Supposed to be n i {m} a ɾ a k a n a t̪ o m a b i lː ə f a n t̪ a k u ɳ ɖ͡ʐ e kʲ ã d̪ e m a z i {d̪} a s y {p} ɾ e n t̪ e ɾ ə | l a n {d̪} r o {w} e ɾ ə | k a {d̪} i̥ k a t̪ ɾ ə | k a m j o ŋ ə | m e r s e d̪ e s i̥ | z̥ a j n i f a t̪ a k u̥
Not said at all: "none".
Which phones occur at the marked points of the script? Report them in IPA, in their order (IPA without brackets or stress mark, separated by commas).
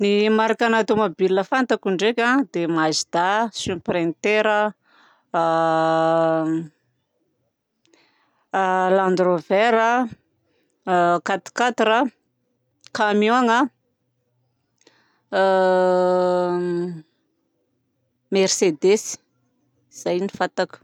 m, d̪, p, d̪, v, t̪